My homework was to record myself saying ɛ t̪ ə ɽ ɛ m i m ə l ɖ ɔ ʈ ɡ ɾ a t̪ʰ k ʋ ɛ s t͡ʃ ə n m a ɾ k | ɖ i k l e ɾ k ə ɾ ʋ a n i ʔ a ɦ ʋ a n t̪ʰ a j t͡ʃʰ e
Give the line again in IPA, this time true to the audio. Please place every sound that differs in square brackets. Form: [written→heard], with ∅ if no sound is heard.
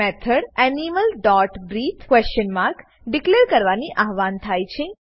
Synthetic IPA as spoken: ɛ [t̪→t̪ʰ] ə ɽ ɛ [m→n] i m ə l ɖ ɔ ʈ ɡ ɾ [a→i] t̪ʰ k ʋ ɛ s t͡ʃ ə n m a ɾ k | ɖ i k l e ɾ k ə ɾ ʋ a n i ʔ a ɦ ʋ a n t̪ʰ a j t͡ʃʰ e